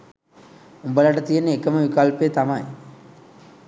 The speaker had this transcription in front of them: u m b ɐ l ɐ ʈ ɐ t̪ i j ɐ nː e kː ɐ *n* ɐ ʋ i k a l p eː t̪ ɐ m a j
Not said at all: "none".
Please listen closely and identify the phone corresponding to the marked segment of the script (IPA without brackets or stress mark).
m